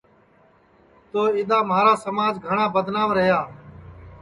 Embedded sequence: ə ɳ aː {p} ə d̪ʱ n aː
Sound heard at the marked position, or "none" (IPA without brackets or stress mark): b